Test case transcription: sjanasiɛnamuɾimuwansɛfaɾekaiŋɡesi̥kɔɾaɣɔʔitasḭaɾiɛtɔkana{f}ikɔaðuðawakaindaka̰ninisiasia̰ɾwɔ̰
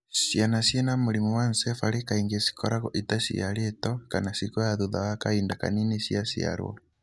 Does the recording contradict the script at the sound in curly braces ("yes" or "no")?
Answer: yes